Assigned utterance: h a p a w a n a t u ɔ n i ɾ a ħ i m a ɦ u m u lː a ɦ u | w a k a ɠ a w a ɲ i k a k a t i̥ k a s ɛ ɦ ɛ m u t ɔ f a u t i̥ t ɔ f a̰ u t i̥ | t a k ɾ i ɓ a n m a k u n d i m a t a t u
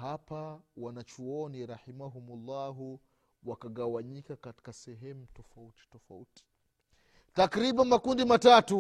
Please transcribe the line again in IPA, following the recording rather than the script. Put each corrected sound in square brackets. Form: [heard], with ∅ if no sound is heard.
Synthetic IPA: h a p a w a n a [t͡ʃ] u ɔ n i ɾ a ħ i m a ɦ u m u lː a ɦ u | w a k a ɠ a w a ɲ i k a k a t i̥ k a s ɛ ɦ ɛ m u t ɔ f a u t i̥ t ɔ f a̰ u t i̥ | t a k ɾ i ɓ a n m a k u n d i m a t a t u